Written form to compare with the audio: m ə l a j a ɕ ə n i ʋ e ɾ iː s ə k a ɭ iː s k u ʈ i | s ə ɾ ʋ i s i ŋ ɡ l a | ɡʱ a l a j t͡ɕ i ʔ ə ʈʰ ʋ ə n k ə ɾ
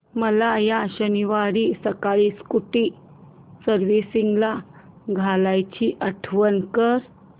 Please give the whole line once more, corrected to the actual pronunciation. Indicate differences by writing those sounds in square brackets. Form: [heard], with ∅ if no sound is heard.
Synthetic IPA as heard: m ə l a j a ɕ ə n i ʋ [a] ɾ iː s ə k a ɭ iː s k u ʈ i | s ə ɾ ʋ i s i ŋ ɡ l a | ɡʱ a l a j t͡ɕ i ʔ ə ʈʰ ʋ ə n k ə ɾ